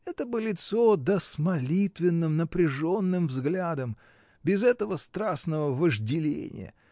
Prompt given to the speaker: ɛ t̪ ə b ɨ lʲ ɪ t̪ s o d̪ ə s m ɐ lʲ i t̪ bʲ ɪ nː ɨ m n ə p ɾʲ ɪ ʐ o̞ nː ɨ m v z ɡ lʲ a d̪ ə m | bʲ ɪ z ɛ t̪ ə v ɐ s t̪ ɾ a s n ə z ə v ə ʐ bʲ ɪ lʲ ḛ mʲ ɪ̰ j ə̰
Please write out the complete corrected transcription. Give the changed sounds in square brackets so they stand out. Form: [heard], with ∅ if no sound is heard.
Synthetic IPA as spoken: ɛ t̪ ə b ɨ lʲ ɪ t̪ s o d̪ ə s m ɐ lʲ i t̪ [vʲ] ɪ nː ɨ m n ə p ɾʲ ɪ ʐ o̞ nː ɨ m v z ɡ lʲ a d̪ ə m | bʲ ɪ z ɛ t̪ ə v [ə] s t̪ ɾ a s n ə [v] ə v ə ʐ [dʲ] ɪ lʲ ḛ [nʲ] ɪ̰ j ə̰

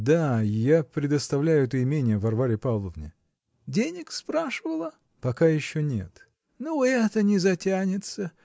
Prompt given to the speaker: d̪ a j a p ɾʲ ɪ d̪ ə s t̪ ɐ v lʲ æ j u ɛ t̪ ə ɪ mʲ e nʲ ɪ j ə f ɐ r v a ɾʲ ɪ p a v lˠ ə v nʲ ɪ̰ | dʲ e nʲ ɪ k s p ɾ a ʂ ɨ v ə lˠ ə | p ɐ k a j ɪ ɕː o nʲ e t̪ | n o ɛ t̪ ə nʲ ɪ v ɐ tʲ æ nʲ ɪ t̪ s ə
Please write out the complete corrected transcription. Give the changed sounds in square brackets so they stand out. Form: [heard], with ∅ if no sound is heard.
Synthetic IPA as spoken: d̪ a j a p ɾʲ ɪ d̪ ə s t̪ ɐ v lʲ æ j [ʊ] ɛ t̪ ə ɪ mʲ e nʲ ɪ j ə [v] ɐ r v a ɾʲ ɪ p a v lˠ ə v nʲ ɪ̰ | dʲ e nʲ ɪ k s p ɾ a ʂ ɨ v ə lˠ ə | p ɐ k a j ɪ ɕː o nʲ e t̪ | n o ɛ t̪ ə nʲ ɪ [z] ɐ tʲ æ nʲ ɪ t̪ s ə

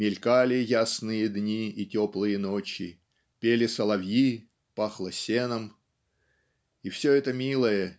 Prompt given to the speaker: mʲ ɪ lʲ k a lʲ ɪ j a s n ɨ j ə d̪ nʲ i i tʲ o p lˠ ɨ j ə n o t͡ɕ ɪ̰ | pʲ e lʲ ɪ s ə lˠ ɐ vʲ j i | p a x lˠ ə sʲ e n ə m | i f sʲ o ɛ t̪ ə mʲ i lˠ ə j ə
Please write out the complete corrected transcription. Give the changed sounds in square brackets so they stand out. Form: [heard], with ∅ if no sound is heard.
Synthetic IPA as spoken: mʲ ɪ lʲ k a lʲ ɪ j a s n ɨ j ə d̪ nʲ i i tʲ o p lˠ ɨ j ə n o t͡ɕ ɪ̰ | pʲ e lʲ ɪ s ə lˠ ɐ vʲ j i | p a x lˠ ə sʲ e n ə m | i f sʲ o ɛ t̪ ə mʲ i lˠ ə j ə

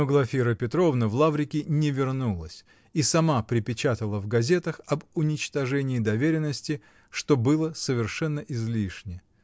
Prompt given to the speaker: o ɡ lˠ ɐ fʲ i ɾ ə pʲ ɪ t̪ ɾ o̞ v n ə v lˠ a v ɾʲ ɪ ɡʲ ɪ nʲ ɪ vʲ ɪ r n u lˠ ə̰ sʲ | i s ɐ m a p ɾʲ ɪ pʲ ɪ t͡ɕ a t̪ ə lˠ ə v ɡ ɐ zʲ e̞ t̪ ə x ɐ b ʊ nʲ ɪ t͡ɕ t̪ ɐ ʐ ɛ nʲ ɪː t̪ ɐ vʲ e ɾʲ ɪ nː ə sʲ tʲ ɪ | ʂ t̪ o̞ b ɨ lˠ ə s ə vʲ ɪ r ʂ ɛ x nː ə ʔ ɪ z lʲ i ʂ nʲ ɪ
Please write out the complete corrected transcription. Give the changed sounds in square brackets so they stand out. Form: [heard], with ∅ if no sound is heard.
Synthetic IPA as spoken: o ɡ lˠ ɐ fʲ i ɾ ə pʲ ɪ t̪ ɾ o̞ v n ə v lˠ a v ɾʲ ɪ [kʲ] ɪ nʲ ɪ vʲ ɪ r n u lˠ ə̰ sʲ | i s ɐ m a p ɾʲ ɪ pʲ ɪ t͡ɕ a t̪ ə lˠ ə v ɡ ɐ zʲ e̞ t̪ ə x ɐ b ʊ nʲ ɪ t͡ɕ t̪ ɐ ʐ ɛ nʲ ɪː [d̪] ɐ vʲ e ɾʲ ɪ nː ə sʲ tʲ ɪ | ʂ t̪ o̞ b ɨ lˠ ə s ə vʲ ɪ r ʂ ɛ [∅] nː ə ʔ ɪ z lʲ i ʂ nʲ ɪ

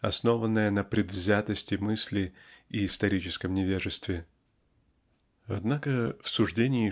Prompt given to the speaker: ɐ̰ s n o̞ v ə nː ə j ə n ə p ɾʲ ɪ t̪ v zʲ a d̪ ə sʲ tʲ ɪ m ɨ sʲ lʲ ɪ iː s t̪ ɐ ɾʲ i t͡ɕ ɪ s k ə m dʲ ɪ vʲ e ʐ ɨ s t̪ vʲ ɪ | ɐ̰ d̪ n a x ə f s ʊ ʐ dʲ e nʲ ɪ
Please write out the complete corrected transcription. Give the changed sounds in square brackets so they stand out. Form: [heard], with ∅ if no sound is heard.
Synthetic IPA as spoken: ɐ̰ s n o̞ v ə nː ə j ə n ə p ɾʲ ɪ [d̪] v zʲ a [t̪] ə sʲ tʲ ɪ m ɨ sʲ lʲ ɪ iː s t̪ ɐ ɾʲ i t͡ɕ ɪ s k ə m [nʲ] ɪ vʲ e ʐ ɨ s t̪ vʲ ɪ | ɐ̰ d̪ n a [k] ə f s ʊ ʐ dʲ e nʲ ɪ

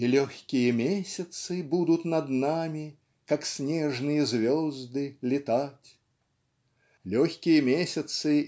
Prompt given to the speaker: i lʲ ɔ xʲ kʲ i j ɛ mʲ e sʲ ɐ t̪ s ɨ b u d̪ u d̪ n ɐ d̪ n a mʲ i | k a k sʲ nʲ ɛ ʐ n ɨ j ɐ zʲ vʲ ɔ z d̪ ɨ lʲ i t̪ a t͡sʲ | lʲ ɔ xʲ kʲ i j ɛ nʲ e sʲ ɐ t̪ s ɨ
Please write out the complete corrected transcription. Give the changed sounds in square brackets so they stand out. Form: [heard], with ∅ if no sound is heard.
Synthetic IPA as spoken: i lʲ ɔ xʲ kʲ i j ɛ mʲ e sʲ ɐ t̪ s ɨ b u d̪ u [t̪] n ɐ d̪ n a mʲ i | k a k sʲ nʲ ɛ ʐ n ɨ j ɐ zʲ vʲ ɔ z d̪ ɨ lʲ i t̪ a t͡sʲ | lʲ ɔ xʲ kʲ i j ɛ [mʲ] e sʲ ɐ t̪ s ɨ

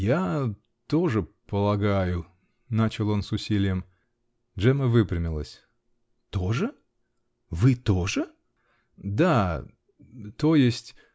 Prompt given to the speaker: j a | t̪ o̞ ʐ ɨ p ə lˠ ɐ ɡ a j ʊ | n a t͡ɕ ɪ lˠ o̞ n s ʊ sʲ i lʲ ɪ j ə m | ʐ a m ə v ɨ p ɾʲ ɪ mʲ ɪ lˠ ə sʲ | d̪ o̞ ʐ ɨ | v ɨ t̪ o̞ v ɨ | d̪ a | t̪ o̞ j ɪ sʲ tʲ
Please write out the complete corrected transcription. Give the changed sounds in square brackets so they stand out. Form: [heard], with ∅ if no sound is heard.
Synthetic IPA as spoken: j a | t̪ o̞ ʐ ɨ p ə lˠ ɐ ɡ a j ʊ | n a t͡ɕ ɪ lˠ o̞ n s ʊ sʲ i lʲ ɪ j ə m | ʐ [ɛ] m ə v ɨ p ɾʲ ɪ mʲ ɪ lˠ ə sʲ | [t̪] o̞ ʐ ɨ | v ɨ t̪ o̞ [ʐ] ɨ | d̪ a | t̪ o̞ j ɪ sʲ tʲ

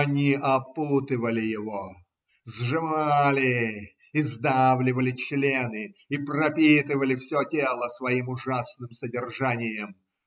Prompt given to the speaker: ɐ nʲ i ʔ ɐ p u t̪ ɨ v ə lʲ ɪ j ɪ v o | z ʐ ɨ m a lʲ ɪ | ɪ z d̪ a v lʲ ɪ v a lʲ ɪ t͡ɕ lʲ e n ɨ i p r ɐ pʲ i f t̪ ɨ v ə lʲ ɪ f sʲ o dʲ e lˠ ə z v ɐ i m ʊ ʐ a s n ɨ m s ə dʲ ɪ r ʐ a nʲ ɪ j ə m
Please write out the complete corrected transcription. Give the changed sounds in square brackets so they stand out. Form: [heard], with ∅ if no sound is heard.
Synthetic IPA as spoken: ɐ nʲ i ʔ ɐ p u t̪ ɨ v ə lʲ ɪ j ɪ v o | z ʐ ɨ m a lʲ ɪ | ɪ z d̪ a v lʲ ɪ v [ə] lʲ ɪ t͡ɕ lʲ e n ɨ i p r ɐ pʲ i [∅] t̪ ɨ v ə lʲ ɪ f sʲ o [tʲ] e lˠ ə [s] v ɐ i m ʊ ʐ a s n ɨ m s ə dʲ ɪ r ʐ a nʲ ɪ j ə m

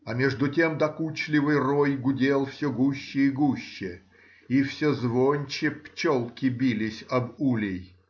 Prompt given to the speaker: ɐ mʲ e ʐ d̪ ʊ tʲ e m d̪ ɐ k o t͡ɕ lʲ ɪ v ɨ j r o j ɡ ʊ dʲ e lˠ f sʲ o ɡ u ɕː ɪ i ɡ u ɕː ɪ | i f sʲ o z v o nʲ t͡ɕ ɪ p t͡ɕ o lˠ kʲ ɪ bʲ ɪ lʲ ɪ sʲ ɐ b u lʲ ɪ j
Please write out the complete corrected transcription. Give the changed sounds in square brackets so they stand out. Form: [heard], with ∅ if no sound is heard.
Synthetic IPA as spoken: ɐ mʲ e ʐ d̪ ʊ tʲ e m d̪ ɐ k [u] t͡ɕ lʲ ɪ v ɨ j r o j ɡ ʊ dʲ e lˠ f sʲ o ɡ u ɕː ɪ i ɡ u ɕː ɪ | i f sʲ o z v o nʲ t͡ɕ ɪ p t͡ɕ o lˠ kʲ ɪ bʲ [i] lʲ ɪ sʲ ɐ b u lʲ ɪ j

